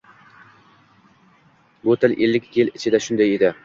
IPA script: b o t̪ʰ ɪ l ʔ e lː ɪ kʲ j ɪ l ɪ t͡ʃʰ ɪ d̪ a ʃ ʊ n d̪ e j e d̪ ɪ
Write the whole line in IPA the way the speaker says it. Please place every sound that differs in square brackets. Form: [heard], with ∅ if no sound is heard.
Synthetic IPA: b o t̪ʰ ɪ l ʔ e lː ɪ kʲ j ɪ l ɪ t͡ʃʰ ɪ d̪ a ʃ ʊ n d̪ [a] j e d̪ ɪ